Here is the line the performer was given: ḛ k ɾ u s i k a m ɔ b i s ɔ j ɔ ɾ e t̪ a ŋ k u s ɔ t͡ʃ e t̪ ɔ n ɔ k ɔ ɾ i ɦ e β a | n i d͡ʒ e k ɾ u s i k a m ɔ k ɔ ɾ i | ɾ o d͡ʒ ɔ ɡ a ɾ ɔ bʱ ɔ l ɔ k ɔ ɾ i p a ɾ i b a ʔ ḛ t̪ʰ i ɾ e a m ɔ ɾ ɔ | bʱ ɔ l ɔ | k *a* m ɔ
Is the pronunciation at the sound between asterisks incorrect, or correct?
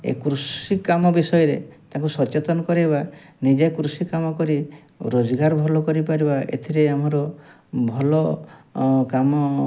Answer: correct